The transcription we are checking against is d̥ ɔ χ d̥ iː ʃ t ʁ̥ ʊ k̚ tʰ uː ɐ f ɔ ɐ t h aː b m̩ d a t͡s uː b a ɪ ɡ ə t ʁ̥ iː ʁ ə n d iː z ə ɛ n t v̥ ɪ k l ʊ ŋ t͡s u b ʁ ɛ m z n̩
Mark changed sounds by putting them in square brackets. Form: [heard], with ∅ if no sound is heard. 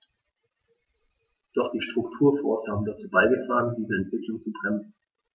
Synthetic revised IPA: d̥ ɔ χ d̥ iː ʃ t ʁ̥ ʊ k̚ tʰ uː ɐ f ɔ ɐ [s] h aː b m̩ d a t͡s uː b a ɪ ɡ ə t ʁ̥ [aː] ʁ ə n d iː z ə ɛ n t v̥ ɪ k l ʊ ŋ t͡s u b ʁ ɛ m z n̩